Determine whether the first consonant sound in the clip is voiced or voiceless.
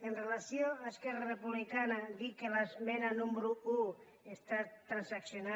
voiced